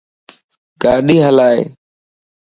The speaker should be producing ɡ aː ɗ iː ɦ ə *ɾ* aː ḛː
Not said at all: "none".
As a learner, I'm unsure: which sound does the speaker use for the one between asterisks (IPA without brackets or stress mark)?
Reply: l